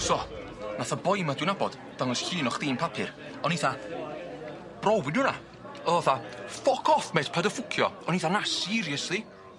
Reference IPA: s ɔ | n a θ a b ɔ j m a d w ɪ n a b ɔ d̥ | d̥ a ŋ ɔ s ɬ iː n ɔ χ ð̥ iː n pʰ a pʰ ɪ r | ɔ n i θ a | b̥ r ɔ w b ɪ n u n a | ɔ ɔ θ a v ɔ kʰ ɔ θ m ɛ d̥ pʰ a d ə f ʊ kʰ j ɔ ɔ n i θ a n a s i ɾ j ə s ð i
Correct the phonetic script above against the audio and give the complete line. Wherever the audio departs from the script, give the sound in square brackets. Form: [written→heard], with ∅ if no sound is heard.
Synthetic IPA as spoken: s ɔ | n a θ a b ɔ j m a d w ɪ n a b ɔ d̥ | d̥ a ŋ ɔ s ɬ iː n ɔ χ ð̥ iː n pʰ a pʰ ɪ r | ɔ n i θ a | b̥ r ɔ w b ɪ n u n a | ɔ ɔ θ a [v→f] ɔ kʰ ɔ θ m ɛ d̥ pʰ a d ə f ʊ kʰ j ɔ ɔ n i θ a n a s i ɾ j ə s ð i